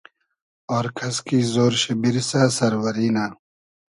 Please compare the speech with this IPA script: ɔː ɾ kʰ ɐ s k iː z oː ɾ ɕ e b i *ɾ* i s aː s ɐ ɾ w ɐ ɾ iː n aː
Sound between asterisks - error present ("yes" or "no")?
no